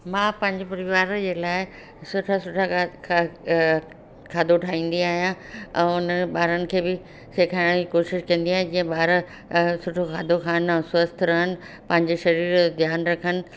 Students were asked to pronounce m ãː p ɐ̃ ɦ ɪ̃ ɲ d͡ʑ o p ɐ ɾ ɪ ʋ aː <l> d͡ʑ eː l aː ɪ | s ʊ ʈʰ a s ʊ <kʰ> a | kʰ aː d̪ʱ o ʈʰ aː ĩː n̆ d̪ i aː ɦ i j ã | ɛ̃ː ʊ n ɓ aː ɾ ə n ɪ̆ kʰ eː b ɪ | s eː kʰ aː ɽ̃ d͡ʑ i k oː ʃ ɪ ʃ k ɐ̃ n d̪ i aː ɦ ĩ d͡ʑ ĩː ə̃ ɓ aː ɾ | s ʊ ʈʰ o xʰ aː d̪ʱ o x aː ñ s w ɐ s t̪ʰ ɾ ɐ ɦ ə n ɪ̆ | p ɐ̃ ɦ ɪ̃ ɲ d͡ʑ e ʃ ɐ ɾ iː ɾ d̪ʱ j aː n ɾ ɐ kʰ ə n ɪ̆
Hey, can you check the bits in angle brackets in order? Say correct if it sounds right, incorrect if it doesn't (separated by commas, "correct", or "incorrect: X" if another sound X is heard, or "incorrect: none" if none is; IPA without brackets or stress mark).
incorrect: ɾ, incorrect: ʈʰ